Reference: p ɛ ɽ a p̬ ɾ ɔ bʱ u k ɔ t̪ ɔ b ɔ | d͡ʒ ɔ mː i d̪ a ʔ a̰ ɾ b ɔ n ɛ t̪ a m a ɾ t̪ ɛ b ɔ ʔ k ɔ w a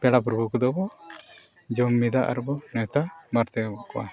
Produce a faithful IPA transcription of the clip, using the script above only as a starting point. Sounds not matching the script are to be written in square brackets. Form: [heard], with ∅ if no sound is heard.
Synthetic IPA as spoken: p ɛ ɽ a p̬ ɾ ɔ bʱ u k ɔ [d̪] ɔ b ɔ | d͡ʒ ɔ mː i d̪ a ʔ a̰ ɾ b ɔ n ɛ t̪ a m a ɾ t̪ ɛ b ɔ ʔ k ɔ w a